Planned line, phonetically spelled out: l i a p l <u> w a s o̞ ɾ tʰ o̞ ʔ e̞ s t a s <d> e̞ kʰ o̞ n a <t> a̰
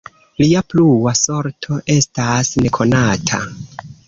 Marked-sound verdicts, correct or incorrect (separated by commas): correct, incorrect, incorrect